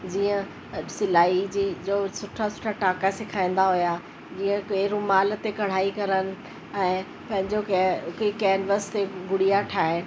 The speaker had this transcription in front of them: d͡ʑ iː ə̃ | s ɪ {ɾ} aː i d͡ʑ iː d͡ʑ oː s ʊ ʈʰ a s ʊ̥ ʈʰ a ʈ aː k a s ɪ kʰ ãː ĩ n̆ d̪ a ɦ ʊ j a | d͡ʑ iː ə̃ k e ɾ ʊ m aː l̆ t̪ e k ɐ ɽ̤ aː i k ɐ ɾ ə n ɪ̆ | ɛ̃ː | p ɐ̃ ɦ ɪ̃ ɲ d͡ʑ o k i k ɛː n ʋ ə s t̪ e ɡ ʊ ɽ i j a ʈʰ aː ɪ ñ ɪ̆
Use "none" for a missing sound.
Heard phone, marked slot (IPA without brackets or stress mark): l